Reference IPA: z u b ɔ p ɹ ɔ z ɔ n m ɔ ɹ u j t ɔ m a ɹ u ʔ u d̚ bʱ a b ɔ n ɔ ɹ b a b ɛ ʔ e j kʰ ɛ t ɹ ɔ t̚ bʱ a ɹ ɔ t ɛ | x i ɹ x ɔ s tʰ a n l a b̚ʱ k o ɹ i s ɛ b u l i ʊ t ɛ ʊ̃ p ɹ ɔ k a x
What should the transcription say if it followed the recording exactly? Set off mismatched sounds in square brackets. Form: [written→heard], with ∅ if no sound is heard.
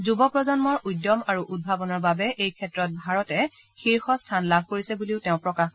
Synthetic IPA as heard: z u b ɔ p ɹ ɔ z ɔ n m ɔ ɹ u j [t→d] ɔ m a ɹ u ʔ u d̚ bʱ a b ɔ n ɔ ɹ b a b ɛ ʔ e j kʰ ɛ t ɹ ɔ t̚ bʱ a ɹ ɔ t ɛ | x i ɹ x ɔ s tʰ a n l a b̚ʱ k o ɹ i s ɛ b u l i ʊ t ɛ ʊ̃ p ɹ ɔ k a x